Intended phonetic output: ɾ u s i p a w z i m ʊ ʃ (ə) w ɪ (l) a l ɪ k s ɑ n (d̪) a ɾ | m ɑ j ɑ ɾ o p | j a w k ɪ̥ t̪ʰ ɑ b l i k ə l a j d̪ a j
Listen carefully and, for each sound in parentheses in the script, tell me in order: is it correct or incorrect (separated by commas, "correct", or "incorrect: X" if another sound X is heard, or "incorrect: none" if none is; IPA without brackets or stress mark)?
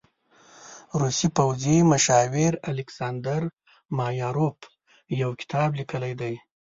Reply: incorrect: ɑ, incorrect: ɾ, correct